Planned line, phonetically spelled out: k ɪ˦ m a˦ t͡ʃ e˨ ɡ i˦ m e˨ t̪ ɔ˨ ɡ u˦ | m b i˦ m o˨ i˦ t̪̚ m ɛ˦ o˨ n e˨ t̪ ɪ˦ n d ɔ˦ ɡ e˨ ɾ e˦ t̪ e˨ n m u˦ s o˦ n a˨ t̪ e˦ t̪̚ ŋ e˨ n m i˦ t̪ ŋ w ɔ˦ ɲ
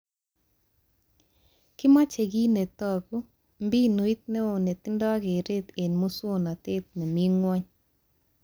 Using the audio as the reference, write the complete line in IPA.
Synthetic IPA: k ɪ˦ m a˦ t͡ʃ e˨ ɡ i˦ n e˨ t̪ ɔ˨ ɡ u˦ | m b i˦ n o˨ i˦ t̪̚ n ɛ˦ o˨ n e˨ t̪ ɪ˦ n d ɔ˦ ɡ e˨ ɾ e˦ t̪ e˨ n m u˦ s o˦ n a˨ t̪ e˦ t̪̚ n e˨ m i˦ ŋ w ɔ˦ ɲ